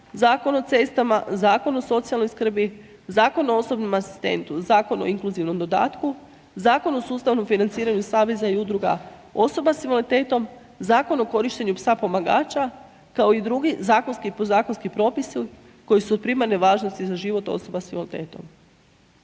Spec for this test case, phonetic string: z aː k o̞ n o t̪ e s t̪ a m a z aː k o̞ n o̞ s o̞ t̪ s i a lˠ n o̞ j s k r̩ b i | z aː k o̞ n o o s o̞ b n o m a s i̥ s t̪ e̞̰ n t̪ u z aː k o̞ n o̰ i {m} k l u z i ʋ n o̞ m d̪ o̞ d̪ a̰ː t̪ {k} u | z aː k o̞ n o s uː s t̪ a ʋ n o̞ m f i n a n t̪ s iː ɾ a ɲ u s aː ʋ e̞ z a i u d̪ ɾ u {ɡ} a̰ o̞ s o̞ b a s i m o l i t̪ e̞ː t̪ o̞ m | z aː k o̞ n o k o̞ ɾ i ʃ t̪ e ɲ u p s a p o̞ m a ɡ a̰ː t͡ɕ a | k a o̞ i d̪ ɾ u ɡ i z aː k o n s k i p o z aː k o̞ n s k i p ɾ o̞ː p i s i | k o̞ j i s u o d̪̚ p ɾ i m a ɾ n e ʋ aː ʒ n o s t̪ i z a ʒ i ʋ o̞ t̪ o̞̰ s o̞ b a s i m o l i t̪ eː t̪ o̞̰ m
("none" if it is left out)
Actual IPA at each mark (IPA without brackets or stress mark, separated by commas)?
ŋ, k, ɡ